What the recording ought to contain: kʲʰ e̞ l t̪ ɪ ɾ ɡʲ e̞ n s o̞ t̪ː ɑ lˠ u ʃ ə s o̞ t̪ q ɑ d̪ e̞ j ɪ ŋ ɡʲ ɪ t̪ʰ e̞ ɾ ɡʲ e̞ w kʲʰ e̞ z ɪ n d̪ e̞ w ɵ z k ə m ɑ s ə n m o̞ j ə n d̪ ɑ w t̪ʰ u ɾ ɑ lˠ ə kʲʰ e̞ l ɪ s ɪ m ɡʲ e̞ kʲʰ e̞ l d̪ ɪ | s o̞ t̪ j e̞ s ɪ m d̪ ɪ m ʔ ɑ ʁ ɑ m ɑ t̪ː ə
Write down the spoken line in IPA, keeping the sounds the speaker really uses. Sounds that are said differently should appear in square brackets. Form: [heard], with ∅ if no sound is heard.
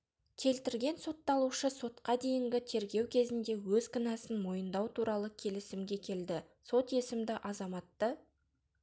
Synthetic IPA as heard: kʲʰ e̞ l t̪ ɪ ɾ ɡʲ e̞ n s o̞ t̪ː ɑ lˠ u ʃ ə s o̞ t̪ q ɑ d̪ e̞ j ɪ ŋ ɡʲ ɪ t̪ʰ e̞ ɾ ɡʲ e̞ w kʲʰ e̞ z ɪ n d̪ e̞ w ɵ z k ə [n] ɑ s ə n m o̞ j ə n d̪ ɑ w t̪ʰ u ɾ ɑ lˠ ə kʲʰ e̞ l ɪ s ɪ m ɡʲ e̞ kʲʰ e̞ l d̪ ɪ | s o̞ t̪ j e̞ s ɪ m d̪ ɪ [∅] ʔ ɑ [z] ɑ m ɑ t̪ː ə